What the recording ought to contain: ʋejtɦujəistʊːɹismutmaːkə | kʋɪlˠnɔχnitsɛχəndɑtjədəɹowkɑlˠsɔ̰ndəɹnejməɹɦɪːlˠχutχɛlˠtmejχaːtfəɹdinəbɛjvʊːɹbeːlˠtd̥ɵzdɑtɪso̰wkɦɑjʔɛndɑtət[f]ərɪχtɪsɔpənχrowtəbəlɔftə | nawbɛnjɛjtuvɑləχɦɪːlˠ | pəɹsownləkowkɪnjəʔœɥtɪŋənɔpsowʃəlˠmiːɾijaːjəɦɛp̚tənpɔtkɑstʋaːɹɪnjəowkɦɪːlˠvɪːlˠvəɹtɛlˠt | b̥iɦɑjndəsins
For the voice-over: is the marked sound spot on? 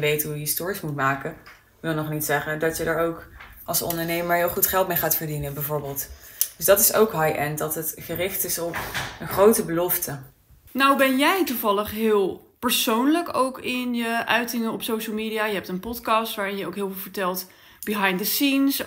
no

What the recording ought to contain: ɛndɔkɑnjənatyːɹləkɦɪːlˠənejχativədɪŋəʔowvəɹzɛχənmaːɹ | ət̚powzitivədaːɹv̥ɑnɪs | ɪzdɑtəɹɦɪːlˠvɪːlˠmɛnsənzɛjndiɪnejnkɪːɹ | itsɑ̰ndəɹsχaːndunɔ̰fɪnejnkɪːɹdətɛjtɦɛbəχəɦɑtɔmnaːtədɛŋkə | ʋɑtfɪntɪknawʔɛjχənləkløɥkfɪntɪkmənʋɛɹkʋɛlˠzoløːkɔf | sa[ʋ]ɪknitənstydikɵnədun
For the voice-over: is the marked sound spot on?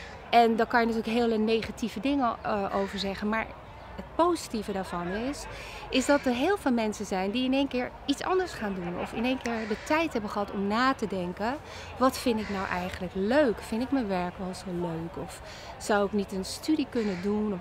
no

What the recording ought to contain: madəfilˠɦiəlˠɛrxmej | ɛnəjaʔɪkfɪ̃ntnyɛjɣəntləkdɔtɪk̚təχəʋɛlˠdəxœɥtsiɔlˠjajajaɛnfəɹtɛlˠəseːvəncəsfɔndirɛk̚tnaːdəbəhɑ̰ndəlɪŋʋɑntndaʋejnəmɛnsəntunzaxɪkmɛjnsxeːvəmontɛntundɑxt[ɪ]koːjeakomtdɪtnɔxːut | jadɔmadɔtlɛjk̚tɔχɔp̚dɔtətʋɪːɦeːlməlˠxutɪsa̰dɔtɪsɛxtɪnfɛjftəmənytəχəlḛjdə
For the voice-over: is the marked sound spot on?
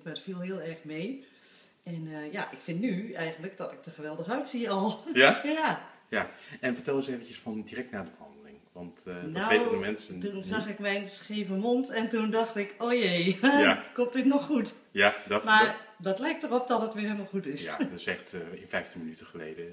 yes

